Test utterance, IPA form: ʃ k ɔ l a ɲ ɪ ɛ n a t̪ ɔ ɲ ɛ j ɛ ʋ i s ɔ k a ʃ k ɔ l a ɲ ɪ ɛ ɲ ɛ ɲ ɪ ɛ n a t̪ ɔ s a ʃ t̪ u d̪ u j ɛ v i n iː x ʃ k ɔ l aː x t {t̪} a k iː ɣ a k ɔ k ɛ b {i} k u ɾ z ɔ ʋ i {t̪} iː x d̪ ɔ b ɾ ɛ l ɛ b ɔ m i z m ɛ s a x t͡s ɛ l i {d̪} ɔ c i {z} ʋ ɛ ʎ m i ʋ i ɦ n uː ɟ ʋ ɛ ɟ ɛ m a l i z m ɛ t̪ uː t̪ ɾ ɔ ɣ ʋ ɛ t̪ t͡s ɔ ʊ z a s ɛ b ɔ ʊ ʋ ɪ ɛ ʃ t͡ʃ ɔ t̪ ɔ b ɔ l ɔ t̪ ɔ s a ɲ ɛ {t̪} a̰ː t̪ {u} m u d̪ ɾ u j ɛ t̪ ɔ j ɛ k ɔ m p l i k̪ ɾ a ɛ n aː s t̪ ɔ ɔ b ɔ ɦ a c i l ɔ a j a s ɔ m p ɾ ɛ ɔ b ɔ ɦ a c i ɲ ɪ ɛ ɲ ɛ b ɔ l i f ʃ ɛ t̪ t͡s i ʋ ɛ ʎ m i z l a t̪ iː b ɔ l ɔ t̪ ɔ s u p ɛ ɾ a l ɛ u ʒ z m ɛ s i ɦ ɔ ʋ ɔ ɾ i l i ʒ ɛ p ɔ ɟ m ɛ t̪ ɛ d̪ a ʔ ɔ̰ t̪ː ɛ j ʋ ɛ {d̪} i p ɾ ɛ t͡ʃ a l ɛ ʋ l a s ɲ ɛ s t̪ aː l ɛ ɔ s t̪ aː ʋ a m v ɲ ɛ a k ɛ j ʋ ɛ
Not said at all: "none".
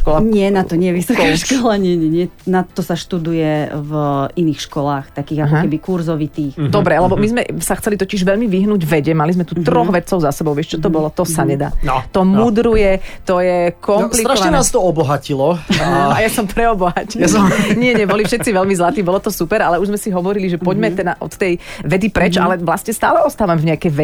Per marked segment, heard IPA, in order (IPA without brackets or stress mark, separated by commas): t̪, i, t̪, t̪, ʒ, d̪, ɔ, d̪